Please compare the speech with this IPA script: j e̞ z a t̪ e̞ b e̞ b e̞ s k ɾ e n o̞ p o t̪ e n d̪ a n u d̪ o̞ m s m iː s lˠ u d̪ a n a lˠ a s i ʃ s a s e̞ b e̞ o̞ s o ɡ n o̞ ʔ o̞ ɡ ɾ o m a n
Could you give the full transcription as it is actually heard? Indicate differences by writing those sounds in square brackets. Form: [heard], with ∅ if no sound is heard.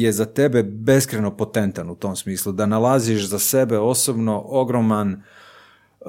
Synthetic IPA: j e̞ z a t̪ e̞ b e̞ b e̞ s k ɾ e n o̞ p o t̪ e n [t̪] a n u [t̪] o̞ m s m iː s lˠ u d̪ a n a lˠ a [z] i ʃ [z] a s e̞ b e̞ o̞ s o [b] n o̞ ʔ o̞ ɡ ɾ o m a n